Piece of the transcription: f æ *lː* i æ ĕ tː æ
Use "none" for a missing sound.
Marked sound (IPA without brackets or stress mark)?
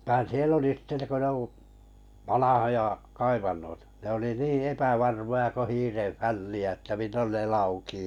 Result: lː